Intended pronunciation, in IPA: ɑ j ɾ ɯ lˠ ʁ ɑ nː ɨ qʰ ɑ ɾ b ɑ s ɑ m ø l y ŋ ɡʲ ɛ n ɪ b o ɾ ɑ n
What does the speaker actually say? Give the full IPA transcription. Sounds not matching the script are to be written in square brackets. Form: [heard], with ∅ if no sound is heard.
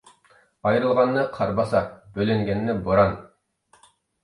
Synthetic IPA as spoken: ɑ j ɾ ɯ lˠ ʁ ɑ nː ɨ qʰ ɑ ɾ b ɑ s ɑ [b] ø l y ŋ ɡʲ ɛ [nː] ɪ b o ɾ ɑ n